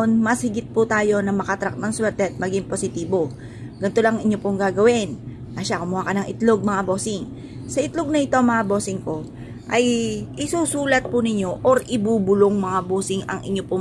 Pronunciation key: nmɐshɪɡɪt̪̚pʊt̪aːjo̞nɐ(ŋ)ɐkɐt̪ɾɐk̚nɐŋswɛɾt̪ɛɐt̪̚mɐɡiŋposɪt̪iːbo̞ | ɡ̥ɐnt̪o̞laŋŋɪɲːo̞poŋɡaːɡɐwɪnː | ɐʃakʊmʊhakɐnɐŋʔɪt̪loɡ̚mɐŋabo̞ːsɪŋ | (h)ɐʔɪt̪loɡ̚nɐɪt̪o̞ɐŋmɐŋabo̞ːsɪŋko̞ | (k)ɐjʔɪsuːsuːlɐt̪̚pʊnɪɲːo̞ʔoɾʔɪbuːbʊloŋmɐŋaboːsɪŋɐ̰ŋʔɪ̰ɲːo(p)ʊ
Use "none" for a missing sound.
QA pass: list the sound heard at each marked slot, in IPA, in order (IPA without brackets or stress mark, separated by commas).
m, s, ʔ, p